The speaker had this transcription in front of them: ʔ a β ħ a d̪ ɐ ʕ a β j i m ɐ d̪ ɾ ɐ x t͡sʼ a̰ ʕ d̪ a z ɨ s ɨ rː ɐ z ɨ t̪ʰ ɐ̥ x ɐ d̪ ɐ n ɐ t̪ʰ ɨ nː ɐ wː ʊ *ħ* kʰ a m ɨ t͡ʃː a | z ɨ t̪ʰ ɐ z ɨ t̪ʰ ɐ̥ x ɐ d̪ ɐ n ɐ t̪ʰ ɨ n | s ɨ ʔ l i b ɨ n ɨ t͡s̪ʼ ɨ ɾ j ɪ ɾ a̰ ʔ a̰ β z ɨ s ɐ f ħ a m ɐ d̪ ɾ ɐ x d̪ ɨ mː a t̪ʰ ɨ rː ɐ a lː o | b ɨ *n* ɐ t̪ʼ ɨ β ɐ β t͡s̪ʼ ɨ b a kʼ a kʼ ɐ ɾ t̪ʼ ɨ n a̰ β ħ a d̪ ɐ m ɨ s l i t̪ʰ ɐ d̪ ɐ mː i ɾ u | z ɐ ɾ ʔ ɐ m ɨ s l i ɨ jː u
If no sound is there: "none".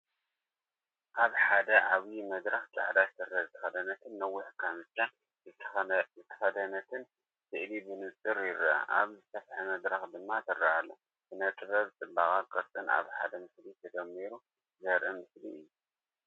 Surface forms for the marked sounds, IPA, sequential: ħ, n

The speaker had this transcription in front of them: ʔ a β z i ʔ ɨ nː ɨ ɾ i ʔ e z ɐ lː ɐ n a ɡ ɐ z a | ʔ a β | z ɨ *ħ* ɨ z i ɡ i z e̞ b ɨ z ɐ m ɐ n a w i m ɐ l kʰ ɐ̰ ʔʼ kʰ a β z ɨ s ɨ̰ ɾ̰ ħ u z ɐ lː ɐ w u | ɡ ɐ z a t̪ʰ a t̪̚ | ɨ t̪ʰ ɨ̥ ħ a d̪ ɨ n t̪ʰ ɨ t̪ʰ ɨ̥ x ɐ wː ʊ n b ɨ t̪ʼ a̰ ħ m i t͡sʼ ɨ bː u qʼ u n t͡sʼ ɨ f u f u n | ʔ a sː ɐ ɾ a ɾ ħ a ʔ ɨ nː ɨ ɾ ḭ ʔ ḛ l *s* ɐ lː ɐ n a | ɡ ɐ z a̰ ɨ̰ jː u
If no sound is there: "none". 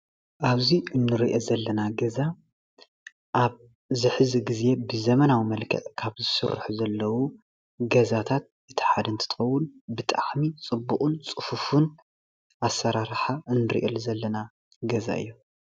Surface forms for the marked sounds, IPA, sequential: ħ, z

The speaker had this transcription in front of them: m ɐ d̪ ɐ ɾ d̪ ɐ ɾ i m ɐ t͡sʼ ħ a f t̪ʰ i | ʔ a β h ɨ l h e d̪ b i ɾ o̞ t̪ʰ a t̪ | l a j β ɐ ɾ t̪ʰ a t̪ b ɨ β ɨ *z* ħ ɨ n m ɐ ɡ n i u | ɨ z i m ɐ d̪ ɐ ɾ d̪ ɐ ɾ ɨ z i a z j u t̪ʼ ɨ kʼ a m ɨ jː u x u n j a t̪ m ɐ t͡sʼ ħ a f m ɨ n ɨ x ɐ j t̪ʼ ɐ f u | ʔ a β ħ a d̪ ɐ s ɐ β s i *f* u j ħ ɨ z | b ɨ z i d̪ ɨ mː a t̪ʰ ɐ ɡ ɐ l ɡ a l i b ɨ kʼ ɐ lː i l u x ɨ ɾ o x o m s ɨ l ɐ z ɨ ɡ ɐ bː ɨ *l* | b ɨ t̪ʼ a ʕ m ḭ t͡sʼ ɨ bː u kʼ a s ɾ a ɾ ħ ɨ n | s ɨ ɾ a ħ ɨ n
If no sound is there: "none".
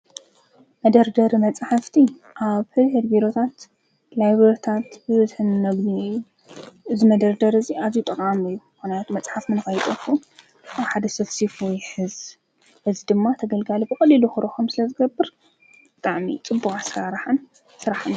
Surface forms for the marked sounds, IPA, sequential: z, f, ɾ

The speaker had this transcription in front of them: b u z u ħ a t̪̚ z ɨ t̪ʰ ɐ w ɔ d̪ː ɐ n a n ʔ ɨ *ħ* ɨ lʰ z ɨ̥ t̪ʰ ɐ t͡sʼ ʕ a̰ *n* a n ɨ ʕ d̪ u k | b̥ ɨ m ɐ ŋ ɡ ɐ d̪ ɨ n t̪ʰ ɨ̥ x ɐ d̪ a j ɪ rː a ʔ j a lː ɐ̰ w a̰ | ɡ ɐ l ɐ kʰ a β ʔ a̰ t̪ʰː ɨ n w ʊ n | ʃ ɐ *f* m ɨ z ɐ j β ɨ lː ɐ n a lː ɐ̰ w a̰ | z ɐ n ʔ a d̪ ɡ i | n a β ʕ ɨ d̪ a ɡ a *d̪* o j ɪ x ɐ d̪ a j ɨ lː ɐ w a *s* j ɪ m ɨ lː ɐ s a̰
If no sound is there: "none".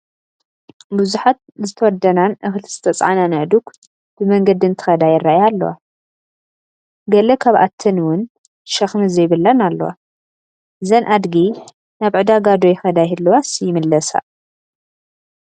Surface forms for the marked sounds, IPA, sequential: x, n, x, d̪, s

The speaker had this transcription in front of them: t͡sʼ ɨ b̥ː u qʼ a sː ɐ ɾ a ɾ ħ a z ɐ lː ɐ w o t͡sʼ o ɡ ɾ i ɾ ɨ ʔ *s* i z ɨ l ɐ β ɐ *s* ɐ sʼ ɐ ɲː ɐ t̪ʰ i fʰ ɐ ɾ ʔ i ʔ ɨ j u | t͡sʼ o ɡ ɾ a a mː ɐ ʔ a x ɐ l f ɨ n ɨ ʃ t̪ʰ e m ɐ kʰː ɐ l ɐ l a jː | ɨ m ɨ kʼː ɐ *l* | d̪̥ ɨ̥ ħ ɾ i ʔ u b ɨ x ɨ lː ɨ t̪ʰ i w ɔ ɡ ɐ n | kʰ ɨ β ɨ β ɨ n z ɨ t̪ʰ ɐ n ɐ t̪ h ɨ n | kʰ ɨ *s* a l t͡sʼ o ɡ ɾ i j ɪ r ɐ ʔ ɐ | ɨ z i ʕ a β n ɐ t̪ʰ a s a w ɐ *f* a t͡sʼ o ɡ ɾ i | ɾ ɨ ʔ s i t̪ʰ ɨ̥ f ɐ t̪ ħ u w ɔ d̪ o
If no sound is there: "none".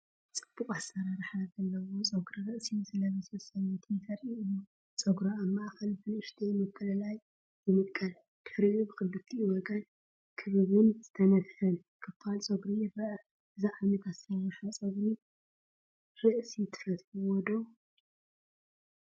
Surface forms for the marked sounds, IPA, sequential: s, s, l, f, ʃ

